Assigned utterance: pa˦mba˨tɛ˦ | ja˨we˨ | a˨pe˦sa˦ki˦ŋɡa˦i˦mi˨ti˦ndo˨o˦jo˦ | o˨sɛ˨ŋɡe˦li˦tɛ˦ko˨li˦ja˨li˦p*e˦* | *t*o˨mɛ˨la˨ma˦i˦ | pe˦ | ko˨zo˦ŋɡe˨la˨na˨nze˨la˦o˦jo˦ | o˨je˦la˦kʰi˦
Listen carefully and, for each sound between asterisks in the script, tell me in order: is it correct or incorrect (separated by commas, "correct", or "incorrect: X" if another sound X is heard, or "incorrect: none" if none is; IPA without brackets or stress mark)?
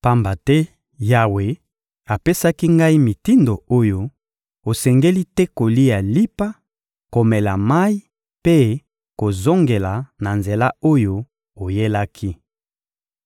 incorrect: a˦, incorrect: k